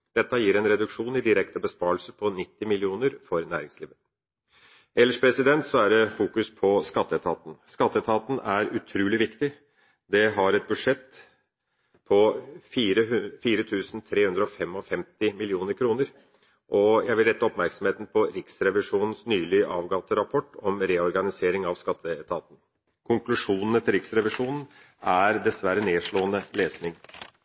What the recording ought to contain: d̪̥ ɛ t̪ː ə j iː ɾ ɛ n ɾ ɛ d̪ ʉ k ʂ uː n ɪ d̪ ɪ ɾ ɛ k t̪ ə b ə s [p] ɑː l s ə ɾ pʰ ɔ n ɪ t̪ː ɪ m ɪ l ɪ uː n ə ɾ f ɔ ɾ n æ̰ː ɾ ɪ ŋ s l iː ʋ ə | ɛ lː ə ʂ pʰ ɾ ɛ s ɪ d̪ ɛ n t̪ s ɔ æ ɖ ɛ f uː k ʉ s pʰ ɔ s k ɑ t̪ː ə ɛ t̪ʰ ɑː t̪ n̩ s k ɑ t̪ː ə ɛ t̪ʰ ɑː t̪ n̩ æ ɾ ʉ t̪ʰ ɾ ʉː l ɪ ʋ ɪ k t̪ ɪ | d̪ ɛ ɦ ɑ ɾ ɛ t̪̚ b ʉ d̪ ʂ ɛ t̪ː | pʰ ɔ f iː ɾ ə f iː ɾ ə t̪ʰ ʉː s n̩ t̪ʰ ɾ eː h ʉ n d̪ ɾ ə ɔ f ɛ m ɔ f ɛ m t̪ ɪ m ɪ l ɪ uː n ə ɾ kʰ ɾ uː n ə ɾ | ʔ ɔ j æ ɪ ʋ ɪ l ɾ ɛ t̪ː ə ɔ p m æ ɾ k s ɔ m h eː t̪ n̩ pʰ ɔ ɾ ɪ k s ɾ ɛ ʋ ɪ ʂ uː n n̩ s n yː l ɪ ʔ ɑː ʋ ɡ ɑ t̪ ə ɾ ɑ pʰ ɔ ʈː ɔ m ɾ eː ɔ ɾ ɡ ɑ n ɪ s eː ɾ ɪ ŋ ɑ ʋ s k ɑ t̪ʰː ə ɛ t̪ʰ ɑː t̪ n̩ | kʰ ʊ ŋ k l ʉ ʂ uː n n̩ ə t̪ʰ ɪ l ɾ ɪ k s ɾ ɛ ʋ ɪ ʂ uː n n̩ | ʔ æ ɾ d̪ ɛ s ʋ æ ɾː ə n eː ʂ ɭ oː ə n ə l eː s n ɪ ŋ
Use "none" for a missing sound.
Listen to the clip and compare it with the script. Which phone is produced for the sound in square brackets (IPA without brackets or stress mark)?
p